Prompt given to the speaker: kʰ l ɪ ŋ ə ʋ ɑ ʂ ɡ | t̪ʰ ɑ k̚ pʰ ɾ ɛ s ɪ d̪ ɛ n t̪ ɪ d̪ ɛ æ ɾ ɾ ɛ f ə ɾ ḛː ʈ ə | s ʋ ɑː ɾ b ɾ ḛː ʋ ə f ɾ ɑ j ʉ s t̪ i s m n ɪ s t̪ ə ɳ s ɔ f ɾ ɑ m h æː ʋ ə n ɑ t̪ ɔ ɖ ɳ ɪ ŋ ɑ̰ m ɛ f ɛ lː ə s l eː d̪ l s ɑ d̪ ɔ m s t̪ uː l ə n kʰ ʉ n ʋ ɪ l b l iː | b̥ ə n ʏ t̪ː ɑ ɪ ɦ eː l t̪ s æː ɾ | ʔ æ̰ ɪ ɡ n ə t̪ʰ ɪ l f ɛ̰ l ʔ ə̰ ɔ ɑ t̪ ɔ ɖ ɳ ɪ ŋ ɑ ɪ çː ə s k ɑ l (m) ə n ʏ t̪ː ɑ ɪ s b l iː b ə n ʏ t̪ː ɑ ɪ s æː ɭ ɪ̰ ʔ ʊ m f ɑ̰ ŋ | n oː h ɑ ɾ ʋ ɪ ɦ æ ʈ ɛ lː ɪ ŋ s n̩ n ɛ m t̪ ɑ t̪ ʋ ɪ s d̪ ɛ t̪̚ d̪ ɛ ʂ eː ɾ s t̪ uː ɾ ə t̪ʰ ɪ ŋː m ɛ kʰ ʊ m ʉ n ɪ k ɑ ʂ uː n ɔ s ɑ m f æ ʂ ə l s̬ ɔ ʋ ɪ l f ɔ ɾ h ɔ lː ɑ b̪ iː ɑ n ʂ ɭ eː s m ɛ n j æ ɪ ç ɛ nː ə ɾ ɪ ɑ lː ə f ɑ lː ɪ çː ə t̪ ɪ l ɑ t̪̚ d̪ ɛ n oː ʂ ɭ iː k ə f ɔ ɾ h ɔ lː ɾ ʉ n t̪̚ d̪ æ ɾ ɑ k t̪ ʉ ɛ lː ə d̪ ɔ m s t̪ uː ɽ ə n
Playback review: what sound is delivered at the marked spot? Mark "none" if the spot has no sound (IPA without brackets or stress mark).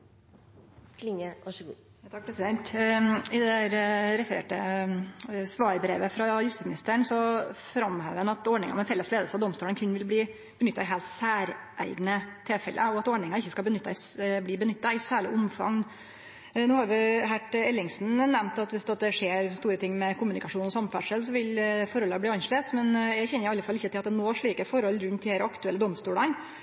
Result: b